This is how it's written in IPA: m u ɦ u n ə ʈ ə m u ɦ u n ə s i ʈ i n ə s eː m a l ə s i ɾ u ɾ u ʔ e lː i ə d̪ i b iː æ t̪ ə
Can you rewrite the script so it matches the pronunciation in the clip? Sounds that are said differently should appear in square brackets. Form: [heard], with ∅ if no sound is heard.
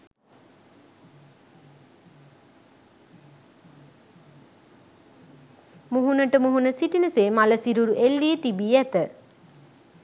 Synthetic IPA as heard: m u ɦ u n ə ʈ ə m u ɦ u n ə s i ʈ i n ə s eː m a l ə s i ɾ u ɾ u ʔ e lː i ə [t̪] i b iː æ t̪ ə